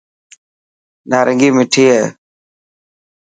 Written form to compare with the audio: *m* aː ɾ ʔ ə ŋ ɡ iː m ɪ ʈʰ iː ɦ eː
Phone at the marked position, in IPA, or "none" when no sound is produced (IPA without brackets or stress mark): n